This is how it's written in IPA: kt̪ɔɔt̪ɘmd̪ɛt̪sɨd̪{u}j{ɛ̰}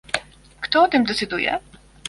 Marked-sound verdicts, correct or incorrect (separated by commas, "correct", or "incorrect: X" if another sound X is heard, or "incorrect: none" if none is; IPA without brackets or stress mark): correct, correct